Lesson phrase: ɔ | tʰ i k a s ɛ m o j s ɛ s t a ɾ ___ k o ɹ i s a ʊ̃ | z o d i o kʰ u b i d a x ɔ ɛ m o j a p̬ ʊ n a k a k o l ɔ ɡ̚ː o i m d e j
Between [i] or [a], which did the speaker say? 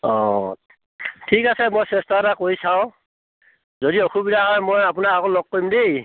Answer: a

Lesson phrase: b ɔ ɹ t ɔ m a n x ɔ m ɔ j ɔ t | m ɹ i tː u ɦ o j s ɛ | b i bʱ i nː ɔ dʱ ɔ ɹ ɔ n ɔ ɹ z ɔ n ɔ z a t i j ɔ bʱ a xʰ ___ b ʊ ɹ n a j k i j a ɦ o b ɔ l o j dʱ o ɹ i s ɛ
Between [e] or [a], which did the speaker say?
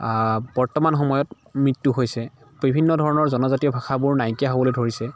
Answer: a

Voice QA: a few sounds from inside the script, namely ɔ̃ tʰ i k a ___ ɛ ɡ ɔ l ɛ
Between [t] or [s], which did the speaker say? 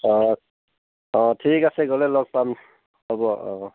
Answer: s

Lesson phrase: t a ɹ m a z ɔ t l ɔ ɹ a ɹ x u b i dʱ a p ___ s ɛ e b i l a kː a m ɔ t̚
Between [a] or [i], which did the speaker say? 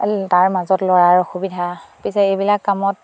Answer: i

